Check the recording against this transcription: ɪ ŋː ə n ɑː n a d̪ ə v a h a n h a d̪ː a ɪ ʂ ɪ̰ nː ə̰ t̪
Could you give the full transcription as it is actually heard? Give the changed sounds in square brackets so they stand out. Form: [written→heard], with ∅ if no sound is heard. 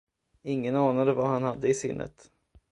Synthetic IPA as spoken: ɪ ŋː ə n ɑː n a d̪ ə v a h a n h a d̪ː [a→ə] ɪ [ʂ→s] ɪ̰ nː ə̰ t̪